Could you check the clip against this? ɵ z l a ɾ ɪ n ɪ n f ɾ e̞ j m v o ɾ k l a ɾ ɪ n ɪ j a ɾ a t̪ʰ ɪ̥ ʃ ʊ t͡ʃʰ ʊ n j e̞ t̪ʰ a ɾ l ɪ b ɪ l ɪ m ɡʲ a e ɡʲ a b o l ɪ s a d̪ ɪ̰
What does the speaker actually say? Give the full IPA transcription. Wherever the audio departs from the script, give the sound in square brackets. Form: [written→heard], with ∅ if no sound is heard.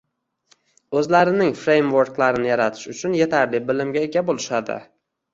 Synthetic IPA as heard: ɵ z l a ɾ ɪ n ɪ [n→ŋ] f ɾ e̞ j m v o ɾ k l a ɾ ɪ n ɪ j a ɾ a t̪ʰ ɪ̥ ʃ ʊ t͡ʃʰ ʊ n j e̞ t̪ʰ a ɾ l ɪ b ɪ l ɪ m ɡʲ a e ɡʲ a b o l ɪ [s→ʃ] a d̪ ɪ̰